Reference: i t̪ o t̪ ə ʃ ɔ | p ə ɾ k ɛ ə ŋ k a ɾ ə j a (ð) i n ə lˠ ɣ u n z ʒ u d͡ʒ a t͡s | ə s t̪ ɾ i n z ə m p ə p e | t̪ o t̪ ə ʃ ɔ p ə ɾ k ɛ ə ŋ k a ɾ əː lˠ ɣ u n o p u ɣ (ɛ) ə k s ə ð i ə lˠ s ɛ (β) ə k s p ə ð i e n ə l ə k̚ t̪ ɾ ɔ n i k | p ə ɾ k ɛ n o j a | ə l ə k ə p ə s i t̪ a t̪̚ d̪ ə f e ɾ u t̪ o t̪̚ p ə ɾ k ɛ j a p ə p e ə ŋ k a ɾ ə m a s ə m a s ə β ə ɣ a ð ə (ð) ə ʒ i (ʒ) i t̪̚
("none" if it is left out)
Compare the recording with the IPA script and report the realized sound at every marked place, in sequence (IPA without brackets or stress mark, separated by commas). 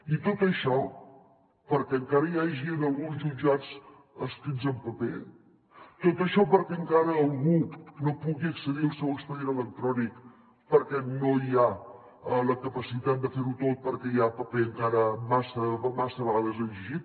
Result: ʒ, i, w, z, ʒ